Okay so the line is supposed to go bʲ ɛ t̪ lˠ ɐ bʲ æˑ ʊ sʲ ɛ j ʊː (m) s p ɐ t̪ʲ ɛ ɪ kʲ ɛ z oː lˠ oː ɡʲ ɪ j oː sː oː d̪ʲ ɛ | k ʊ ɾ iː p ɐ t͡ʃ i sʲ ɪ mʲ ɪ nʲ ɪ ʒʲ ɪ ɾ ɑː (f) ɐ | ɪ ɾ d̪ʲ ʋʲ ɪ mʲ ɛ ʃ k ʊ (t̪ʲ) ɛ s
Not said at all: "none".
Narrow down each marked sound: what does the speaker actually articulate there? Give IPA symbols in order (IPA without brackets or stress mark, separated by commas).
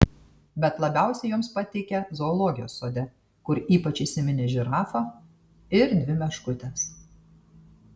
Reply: m, f, t̪ʲ